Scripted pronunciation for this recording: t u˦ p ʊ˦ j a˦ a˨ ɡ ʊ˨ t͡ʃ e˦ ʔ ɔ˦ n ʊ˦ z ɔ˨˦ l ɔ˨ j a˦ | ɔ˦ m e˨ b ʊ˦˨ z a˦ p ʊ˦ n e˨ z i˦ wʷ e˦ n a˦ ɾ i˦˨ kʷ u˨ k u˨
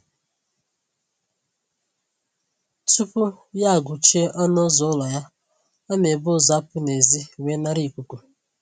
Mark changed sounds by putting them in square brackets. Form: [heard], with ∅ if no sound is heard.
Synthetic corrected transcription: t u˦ p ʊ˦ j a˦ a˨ ɡ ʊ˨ t͡ʃ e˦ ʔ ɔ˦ n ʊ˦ z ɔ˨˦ l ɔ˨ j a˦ | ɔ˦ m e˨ b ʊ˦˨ z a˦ p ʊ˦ n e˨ z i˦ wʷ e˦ n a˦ ɾ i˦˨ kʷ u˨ k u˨